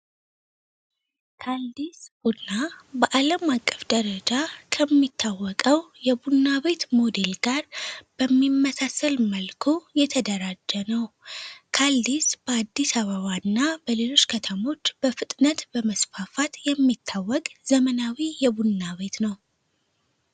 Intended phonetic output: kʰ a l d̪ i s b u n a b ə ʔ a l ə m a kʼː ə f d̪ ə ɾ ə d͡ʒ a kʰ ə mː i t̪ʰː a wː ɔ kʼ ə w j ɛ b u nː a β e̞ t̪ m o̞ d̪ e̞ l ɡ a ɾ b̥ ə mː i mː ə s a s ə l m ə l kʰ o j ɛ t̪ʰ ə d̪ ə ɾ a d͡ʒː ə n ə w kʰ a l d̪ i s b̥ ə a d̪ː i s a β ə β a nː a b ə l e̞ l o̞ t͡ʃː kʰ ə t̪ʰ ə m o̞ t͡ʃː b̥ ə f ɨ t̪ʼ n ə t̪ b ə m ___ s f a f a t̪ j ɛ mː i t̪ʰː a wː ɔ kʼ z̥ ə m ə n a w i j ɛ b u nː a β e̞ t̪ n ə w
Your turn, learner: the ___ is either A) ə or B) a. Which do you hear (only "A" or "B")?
A